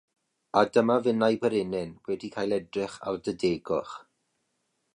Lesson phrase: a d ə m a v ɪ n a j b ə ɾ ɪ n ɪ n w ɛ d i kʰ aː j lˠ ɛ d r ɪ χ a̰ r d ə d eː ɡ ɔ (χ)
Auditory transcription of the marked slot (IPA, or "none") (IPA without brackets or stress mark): χ